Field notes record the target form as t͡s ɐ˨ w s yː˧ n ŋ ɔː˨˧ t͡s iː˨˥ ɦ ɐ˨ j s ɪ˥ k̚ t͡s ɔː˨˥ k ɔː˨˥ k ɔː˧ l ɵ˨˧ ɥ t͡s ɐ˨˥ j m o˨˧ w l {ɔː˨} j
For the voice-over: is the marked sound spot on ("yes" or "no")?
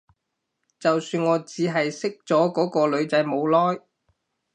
no